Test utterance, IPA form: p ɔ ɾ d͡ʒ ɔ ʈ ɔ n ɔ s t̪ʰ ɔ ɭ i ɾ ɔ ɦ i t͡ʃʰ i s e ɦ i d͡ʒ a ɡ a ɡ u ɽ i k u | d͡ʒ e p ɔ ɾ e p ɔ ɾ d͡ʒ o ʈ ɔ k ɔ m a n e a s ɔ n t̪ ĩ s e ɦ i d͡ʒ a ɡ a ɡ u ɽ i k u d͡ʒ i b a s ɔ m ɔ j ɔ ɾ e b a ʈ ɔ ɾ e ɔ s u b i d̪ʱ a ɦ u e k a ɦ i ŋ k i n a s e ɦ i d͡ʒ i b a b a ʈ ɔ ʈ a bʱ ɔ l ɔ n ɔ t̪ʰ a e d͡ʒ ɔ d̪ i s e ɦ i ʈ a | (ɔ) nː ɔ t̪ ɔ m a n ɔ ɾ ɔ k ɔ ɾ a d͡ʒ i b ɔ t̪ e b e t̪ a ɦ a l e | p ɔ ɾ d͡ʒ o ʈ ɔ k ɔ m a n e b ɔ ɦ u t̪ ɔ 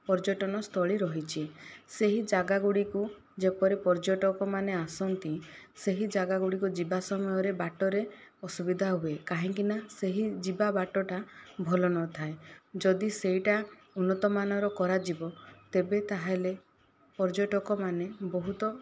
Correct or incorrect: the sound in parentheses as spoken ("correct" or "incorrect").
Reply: incorrect